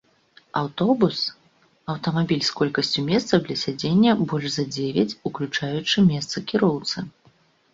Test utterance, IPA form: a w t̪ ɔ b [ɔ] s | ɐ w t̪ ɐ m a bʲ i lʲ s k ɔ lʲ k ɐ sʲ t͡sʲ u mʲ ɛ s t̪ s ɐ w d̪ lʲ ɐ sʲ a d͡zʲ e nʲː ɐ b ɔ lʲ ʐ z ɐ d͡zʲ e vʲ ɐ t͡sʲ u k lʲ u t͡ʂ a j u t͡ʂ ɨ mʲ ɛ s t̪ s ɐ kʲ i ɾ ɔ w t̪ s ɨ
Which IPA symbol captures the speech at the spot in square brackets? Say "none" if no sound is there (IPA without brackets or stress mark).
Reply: u